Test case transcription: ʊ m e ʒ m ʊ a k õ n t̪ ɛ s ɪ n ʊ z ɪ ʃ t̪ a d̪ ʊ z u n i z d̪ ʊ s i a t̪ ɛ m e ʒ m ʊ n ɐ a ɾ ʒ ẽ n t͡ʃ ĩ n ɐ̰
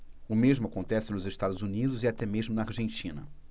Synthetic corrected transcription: ʊ m e ʒ m ʊ a k õ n t̪ ɛ s ɪ n ʊ z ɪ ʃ t̪ a d̪ ʊ z u n i d̪ ʊ z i a t̪ ɛ m e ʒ m ʊ n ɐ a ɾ ʒ ẽ n t͡ʃ ĩ n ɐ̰